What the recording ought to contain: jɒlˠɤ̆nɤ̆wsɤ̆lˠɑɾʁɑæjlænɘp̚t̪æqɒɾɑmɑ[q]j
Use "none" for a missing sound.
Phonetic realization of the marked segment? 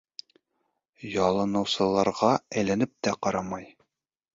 none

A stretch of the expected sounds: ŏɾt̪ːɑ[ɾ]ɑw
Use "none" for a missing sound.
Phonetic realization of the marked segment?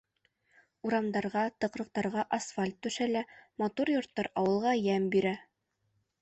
ɾ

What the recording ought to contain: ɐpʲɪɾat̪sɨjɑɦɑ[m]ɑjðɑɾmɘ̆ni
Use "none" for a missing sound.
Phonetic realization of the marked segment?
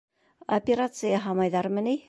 m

